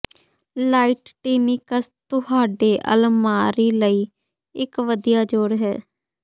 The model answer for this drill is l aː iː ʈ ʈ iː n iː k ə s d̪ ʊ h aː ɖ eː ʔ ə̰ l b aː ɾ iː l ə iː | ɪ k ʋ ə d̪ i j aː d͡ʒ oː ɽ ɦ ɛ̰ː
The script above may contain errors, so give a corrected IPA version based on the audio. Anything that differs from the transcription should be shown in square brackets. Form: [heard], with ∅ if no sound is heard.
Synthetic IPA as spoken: l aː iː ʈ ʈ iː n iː k ə s [t̪] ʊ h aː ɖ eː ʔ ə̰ l [m] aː ɾ iː l ə iː | ɪ k ʋ ə d̪ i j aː d͡ʒ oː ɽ ɦ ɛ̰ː